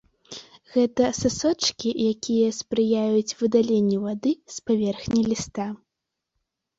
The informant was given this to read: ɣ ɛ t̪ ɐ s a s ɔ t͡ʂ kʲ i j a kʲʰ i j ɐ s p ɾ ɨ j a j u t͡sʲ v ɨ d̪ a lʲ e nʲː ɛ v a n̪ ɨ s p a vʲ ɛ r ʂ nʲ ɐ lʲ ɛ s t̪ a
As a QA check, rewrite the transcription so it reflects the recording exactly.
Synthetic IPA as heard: ɣ ɛ t̪ ɐ s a s ɔ t͡ʂ kʲ i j a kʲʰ i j ɐ s p ɾ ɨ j a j u t͡sʲ v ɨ d̪ a lʲ e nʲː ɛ v a d̪ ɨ s p a vʲ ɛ r x nʲ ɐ lʲ i s t̪ a